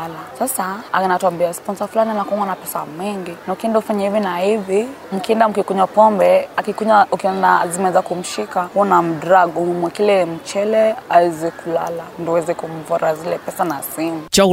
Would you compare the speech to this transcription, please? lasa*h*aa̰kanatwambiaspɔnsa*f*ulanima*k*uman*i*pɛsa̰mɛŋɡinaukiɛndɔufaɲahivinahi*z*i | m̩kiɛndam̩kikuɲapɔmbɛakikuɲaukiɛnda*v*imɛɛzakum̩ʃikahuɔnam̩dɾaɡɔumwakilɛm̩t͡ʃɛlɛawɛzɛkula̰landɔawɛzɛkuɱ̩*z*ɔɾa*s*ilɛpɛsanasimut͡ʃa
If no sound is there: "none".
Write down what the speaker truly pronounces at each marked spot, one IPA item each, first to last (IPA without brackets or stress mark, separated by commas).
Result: s, f, k, a, v, z, v, z